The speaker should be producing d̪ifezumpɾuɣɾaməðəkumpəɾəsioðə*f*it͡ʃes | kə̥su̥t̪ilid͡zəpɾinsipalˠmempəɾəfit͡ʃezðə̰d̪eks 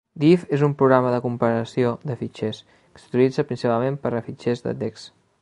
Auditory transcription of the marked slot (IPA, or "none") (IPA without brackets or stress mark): f